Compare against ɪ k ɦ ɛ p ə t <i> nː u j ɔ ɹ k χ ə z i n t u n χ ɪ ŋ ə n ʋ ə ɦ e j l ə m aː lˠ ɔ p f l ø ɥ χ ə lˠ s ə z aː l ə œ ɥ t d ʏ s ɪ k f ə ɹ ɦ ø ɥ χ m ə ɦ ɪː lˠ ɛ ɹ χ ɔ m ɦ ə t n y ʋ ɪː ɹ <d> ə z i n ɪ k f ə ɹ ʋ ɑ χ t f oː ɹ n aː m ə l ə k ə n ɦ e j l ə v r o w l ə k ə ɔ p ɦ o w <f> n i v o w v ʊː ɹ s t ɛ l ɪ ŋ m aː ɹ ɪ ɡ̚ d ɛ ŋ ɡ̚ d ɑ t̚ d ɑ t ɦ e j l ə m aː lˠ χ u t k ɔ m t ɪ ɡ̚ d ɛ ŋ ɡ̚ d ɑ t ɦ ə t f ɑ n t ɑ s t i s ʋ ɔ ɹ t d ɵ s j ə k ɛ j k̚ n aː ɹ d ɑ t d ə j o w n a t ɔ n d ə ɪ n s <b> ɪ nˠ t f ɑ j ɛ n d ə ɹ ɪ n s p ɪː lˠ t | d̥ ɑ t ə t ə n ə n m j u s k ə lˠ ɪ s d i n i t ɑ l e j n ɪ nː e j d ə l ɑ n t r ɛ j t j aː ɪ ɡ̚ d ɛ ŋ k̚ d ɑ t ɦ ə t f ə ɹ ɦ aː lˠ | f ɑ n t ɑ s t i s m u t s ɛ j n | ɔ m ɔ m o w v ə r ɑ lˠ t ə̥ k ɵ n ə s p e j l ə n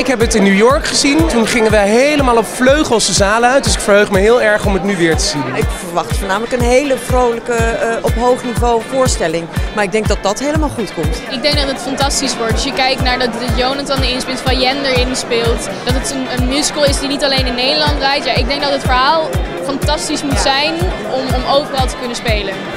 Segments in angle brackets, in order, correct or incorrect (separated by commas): incorrect, incorrect, incorrect, incorrect